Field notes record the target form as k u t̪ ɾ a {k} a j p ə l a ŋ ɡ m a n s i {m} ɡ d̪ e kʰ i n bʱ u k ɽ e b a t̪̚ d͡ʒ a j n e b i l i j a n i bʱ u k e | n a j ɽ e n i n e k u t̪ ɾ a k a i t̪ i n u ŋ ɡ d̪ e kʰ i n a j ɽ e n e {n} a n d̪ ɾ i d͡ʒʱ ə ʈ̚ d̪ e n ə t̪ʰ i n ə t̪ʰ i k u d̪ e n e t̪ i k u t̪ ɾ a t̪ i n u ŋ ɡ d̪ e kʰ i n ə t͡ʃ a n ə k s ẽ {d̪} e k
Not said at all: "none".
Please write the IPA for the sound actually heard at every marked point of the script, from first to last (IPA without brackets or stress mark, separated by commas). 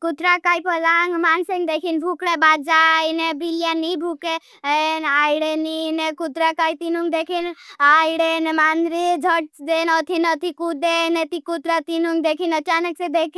k, ŋ, m, d̪